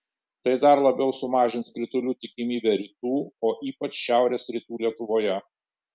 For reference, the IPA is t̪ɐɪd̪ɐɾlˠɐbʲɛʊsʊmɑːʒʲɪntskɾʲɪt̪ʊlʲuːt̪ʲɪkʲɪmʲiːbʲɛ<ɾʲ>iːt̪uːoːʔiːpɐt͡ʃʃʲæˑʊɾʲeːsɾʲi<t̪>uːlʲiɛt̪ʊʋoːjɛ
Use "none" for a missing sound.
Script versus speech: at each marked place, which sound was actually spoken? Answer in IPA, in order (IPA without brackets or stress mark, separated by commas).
ɾʲ, t̪